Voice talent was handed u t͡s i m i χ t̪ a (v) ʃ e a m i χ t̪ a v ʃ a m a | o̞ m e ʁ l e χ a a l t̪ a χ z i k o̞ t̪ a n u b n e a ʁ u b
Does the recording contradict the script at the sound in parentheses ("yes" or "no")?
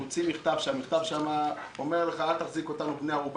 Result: no